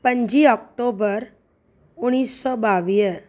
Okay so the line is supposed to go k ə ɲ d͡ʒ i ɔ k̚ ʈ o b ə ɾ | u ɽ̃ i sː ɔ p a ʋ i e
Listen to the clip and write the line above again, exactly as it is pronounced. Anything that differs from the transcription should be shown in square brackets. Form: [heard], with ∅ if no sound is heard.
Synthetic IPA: [p] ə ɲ d͡ʒ i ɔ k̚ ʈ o b ə ɾ | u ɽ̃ i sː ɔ [b] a ʋ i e